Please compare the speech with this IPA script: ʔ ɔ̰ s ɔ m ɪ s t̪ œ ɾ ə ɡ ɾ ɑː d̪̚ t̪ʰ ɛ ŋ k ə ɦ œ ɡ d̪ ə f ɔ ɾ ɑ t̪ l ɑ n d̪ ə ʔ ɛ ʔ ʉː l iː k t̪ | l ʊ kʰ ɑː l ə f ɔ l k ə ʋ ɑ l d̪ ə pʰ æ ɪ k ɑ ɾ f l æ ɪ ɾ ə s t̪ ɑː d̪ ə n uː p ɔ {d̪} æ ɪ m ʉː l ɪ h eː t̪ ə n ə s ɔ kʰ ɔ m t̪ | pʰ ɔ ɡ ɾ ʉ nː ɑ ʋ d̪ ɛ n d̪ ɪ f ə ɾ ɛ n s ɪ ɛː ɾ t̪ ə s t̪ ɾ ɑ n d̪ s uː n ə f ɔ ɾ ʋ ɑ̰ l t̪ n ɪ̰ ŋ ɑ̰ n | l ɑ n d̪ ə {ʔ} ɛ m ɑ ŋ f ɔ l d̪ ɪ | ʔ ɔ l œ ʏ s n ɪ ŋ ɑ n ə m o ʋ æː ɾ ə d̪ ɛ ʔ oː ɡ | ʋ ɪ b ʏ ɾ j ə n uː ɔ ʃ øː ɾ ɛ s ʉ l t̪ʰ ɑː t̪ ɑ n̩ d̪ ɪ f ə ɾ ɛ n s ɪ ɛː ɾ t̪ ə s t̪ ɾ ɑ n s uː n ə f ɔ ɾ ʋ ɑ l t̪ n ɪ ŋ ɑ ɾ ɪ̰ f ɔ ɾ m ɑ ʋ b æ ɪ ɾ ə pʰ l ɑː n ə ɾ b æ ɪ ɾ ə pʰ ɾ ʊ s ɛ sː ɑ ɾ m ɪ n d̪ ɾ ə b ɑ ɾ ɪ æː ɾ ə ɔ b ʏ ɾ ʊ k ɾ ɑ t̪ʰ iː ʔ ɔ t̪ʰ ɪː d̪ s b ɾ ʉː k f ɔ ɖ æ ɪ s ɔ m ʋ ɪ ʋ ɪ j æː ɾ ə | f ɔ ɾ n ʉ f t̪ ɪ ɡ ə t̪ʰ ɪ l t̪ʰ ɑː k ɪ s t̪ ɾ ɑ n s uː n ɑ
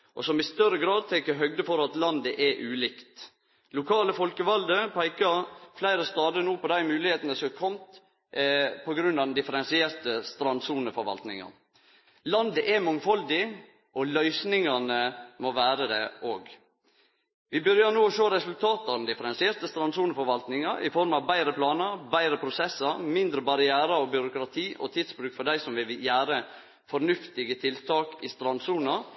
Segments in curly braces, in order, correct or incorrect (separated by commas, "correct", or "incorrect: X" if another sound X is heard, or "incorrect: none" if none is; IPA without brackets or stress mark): correct, correct